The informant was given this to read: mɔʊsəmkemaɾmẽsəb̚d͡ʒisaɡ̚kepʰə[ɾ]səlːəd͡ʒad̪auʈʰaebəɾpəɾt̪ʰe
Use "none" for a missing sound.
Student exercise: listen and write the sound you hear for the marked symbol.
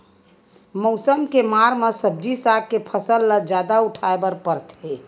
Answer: none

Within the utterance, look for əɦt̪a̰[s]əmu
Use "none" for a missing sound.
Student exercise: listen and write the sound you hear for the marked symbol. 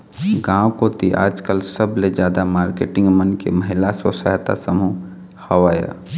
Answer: s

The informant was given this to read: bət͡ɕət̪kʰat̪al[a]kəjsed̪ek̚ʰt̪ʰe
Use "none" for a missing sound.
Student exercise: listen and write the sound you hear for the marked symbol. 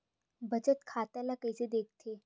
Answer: a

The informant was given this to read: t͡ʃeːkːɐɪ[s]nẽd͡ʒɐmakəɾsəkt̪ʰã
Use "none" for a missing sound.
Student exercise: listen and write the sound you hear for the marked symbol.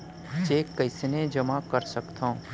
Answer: s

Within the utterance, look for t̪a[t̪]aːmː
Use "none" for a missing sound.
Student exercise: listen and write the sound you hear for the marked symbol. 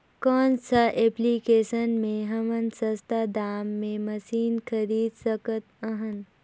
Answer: d̪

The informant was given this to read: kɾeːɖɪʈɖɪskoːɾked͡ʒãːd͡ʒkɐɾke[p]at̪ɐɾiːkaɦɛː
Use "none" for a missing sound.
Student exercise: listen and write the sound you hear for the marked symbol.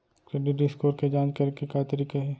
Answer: k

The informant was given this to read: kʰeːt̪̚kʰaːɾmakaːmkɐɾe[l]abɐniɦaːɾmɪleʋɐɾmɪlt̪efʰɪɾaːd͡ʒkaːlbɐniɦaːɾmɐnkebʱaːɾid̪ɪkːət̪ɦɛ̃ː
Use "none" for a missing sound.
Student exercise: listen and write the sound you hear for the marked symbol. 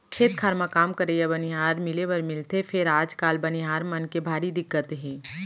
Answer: none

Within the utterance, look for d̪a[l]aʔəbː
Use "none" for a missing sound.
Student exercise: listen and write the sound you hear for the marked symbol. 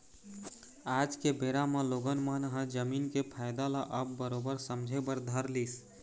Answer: l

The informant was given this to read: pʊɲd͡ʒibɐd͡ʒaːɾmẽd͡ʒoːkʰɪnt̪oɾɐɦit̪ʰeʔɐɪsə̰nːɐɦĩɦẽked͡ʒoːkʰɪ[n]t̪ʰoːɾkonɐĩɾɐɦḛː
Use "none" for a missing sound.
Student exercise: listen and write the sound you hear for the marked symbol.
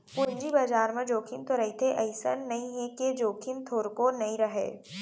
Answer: n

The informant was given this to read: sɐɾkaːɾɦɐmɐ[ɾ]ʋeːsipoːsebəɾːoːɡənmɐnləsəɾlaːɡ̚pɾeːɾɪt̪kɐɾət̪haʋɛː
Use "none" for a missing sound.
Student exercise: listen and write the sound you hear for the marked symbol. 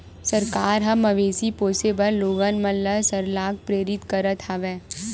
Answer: none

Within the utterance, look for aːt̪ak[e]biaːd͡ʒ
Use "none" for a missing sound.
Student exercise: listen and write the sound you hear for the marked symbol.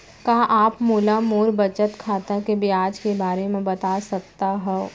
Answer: e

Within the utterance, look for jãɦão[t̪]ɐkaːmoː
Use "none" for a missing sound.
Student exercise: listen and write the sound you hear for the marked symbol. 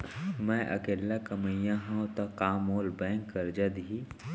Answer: t̪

